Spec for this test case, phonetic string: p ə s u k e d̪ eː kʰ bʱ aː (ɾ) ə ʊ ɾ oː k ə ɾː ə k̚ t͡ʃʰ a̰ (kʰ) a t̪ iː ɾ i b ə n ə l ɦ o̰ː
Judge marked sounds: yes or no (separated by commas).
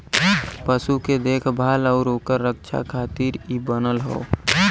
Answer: no, yes